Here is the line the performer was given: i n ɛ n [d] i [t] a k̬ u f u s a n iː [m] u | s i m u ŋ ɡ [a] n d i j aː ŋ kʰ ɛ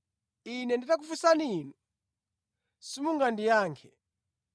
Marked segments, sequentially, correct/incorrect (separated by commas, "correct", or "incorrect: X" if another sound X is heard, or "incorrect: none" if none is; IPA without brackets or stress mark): correct, correct, incorrect: n, correct